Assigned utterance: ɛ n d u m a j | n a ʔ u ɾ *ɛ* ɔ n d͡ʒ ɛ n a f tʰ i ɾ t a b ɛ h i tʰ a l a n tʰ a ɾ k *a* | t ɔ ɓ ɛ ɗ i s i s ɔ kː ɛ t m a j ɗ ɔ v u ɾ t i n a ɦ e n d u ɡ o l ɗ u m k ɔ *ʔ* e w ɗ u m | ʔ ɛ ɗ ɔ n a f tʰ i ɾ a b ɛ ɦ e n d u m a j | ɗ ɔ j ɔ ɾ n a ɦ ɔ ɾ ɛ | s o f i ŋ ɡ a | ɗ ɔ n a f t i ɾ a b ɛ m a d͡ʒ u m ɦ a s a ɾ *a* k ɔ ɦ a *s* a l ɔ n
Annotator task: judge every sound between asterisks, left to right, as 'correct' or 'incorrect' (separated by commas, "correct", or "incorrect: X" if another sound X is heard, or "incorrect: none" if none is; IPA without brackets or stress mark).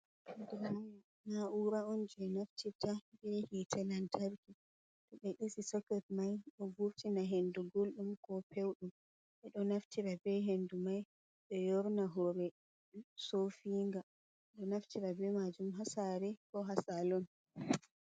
incorrect: a, incorrect: i, incorrect: p, incorrect: ɛ, correct